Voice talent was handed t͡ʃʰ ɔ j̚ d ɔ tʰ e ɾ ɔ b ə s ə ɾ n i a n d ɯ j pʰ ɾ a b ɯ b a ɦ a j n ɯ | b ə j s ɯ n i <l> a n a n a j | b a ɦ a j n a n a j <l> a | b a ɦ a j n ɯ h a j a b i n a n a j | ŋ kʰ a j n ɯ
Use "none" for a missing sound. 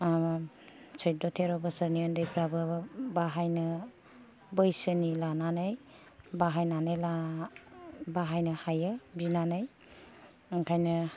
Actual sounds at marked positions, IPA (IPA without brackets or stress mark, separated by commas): l, l